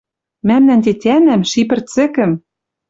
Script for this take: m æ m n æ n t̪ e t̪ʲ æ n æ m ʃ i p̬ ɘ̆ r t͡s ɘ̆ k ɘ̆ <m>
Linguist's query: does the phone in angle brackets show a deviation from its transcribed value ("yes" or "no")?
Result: no